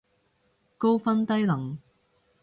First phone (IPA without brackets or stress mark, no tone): k